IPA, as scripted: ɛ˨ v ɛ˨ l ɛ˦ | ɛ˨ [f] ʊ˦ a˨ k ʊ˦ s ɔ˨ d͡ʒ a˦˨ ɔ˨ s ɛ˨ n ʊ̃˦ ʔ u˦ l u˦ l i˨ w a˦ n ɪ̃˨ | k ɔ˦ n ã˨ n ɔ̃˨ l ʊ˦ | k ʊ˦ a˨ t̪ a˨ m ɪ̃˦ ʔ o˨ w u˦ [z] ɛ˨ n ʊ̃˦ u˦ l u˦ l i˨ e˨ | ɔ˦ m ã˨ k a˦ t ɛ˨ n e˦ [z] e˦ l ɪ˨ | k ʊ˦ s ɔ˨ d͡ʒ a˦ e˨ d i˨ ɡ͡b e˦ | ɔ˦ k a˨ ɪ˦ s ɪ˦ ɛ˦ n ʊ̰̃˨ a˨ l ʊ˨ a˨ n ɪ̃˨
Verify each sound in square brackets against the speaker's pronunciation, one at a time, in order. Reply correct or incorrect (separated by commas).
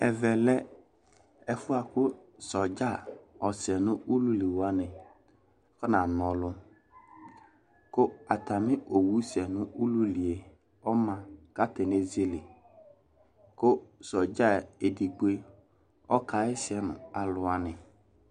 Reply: correct, incorrect, correct